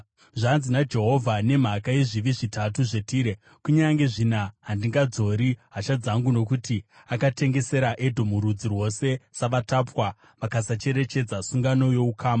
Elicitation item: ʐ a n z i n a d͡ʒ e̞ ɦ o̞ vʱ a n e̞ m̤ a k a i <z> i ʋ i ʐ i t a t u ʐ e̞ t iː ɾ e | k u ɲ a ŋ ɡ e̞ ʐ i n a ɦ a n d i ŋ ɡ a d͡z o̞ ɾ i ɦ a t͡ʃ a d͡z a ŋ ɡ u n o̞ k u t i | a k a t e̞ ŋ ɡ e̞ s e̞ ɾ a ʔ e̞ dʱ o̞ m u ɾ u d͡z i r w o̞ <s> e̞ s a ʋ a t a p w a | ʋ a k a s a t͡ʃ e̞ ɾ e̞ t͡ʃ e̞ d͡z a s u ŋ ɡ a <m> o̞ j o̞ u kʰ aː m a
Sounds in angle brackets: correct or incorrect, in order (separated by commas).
incorrect, correct, incorrect